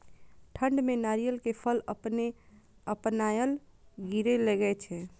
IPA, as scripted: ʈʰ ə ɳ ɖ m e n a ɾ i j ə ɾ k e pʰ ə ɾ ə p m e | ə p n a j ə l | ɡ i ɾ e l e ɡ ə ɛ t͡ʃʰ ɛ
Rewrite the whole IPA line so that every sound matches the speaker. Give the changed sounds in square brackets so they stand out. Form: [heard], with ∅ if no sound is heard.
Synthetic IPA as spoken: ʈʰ ə ɳ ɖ m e n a ɾ i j ə [l] k e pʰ ə [l] ə p [n] e | ə p n a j ə l | ɡ i ɾ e l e ɡ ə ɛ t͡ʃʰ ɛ